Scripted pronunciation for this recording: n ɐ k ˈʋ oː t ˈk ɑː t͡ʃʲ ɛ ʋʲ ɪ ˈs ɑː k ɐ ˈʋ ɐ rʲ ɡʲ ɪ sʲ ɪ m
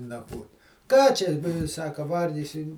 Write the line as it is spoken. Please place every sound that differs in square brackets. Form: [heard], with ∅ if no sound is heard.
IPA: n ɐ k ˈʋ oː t ˈk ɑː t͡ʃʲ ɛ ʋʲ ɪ ˈs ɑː k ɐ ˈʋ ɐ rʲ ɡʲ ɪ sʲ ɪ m